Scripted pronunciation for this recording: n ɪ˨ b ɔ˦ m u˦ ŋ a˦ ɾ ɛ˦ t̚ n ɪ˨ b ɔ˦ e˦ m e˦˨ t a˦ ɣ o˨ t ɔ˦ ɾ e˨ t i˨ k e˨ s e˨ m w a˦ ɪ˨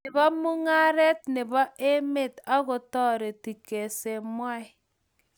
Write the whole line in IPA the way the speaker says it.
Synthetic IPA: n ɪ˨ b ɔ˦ m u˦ ŋ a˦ ɾ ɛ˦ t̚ n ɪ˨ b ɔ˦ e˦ m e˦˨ t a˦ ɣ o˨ t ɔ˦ ɾ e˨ t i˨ k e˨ s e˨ m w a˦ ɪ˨